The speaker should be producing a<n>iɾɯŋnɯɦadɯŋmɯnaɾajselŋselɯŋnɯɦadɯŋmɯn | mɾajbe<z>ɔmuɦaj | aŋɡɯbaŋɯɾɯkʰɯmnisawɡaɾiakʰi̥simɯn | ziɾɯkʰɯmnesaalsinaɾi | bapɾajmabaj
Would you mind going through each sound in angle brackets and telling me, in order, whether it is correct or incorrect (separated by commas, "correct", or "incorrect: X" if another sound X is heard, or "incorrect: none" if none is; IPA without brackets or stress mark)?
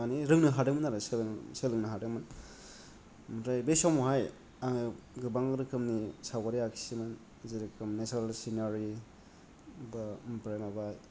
correct, incorrect: s